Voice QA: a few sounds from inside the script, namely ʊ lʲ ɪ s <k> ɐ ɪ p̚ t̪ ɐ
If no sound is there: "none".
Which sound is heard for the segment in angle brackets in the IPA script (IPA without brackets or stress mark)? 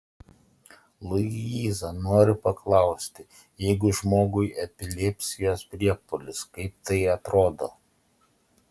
k